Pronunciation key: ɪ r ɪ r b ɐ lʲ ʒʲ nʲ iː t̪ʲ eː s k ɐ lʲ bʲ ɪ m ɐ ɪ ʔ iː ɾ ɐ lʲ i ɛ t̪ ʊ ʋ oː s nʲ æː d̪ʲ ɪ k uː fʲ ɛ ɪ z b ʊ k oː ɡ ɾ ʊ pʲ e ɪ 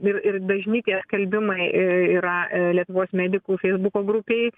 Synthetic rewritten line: ɪ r ɪ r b ɐ ʒʲ nʲ iː t̪ʲ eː s k ɐ lʲ bʲ ɪ m ɐ ɪ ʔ iː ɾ ɐ lʲ i ɛ t̪ ʊ ʋ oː s mʲ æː d̪ʲ ɪ k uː fʲ ɛ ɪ z b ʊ k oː ɡ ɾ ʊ pʲ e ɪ